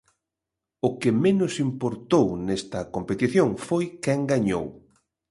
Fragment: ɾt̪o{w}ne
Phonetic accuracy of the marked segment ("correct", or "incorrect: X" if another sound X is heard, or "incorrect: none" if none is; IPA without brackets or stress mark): correct